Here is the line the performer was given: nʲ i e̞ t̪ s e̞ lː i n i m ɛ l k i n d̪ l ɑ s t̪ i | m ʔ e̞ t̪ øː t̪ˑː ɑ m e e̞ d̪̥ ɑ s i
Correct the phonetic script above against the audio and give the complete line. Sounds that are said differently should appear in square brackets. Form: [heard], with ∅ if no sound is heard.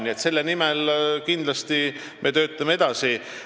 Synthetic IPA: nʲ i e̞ t̪ s e̞ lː [e] n i m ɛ l k i n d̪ l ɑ s t̪ i | m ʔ e̞ t̪ øː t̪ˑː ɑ m e e̞ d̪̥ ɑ s i